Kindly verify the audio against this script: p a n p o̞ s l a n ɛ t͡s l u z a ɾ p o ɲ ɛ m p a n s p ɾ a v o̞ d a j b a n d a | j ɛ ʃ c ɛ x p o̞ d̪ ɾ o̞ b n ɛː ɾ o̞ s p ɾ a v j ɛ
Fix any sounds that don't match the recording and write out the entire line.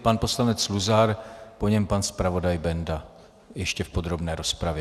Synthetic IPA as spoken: p a n p o̞ s l a n ɛ t͡s l u z a ɾ p o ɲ ɛ m p a n s p ɾ a v o̞ d a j b ɛ n d a | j ɛ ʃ c ɛ f p o̞ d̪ ɾ o̞ b n ɛː ɾ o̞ s p ɾ a v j ɛ